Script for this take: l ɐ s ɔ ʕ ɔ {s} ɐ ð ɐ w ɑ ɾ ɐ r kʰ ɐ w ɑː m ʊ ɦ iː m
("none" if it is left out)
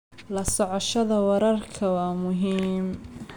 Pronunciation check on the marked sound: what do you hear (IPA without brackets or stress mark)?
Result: ʃ